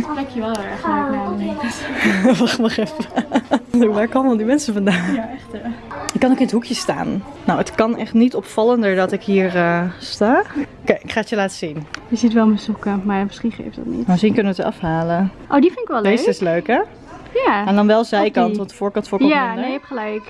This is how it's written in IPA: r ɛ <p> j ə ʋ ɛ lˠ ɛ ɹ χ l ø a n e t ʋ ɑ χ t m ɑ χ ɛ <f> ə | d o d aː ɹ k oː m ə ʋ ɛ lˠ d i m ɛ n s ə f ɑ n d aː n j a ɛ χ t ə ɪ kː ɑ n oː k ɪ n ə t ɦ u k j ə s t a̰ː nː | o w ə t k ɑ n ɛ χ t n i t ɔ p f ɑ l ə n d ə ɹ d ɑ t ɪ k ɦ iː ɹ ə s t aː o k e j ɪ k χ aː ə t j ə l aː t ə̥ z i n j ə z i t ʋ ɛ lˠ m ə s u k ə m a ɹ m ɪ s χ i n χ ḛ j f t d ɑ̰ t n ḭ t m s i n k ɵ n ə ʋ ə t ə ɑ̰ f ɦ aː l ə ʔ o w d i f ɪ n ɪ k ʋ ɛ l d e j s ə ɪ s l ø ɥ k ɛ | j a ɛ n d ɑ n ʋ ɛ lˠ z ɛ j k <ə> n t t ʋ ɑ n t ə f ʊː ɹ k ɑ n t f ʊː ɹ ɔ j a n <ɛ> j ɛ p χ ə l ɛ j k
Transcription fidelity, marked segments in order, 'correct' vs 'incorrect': incorrect, correct, incorrect, incorrect

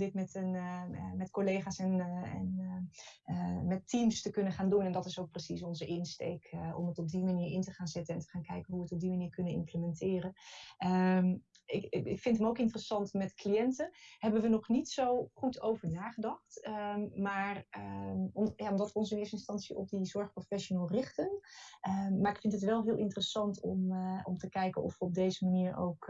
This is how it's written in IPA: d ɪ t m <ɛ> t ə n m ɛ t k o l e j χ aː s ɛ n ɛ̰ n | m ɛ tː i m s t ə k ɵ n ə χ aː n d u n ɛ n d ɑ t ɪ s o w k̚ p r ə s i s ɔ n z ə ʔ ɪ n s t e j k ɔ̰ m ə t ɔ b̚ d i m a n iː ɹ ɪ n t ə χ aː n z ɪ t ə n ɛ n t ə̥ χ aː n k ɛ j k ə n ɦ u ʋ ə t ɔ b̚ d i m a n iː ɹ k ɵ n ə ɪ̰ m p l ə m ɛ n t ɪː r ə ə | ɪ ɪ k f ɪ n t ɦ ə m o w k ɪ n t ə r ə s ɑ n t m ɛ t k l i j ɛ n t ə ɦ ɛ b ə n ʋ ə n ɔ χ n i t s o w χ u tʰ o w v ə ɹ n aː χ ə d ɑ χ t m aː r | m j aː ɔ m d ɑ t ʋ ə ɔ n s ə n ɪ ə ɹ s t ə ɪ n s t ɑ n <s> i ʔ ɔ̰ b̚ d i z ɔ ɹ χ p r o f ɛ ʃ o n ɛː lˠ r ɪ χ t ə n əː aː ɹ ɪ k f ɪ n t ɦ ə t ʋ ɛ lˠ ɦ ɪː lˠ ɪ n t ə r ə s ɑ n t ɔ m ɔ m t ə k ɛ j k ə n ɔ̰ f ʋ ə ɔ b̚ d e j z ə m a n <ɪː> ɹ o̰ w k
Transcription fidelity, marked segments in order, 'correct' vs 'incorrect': correct, correct, incorrect

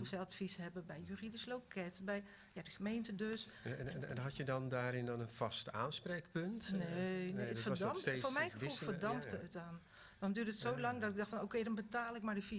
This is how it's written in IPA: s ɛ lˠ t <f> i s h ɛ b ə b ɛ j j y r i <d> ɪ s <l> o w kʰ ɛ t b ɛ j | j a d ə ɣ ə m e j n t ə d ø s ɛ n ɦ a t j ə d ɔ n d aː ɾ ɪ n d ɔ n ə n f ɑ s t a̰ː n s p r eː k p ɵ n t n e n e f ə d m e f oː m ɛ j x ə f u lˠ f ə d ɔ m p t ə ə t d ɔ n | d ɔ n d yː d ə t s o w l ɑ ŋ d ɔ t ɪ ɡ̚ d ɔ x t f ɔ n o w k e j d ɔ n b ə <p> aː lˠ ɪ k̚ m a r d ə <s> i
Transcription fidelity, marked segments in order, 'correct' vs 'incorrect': correct, correct, correct, incorrect, incorrect

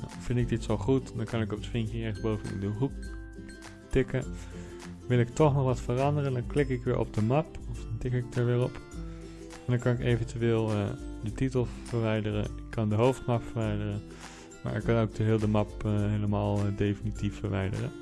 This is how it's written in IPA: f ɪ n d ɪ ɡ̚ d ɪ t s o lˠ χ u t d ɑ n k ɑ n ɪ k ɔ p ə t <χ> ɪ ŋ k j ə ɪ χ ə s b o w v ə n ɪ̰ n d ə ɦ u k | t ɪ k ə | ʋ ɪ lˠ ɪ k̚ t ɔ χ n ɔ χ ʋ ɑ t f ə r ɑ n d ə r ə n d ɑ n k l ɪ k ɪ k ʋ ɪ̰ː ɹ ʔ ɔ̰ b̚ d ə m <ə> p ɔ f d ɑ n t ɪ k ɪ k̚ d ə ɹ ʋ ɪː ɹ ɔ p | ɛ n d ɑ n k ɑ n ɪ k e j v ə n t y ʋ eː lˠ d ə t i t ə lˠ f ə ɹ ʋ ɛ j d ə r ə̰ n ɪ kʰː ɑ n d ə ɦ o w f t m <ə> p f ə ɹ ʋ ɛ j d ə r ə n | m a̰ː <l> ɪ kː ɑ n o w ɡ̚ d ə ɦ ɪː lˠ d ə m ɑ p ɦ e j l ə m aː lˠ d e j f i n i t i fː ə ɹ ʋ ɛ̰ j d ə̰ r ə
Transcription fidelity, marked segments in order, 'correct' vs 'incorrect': incorrect, incorrect, incorrect, incorrect

